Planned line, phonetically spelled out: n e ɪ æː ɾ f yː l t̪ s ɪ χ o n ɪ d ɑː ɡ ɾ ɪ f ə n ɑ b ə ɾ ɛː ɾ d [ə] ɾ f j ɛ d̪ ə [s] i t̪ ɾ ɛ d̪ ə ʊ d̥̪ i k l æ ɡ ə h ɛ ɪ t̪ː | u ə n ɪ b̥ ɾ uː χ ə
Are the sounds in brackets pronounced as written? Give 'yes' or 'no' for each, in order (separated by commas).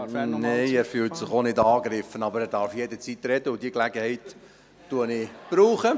no, no